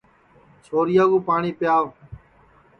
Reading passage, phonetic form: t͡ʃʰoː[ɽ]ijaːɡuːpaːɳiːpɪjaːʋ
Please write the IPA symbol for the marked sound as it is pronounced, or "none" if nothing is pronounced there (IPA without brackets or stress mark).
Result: ɾ